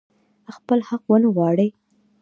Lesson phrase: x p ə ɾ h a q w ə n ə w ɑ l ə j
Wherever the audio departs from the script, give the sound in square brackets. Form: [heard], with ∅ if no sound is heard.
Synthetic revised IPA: x p ə [l] h a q w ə n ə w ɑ [ɽ] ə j